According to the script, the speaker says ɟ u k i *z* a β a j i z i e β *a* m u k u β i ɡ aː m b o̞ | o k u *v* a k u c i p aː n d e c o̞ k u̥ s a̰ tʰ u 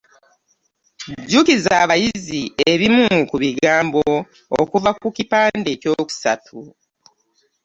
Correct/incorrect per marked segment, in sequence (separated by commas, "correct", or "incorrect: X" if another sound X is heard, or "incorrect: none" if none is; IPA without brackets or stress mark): correct, incorrect: i, correct